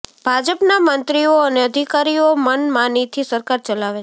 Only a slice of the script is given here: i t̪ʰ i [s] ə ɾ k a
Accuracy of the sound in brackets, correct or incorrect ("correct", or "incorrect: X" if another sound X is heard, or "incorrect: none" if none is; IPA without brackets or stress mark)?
correct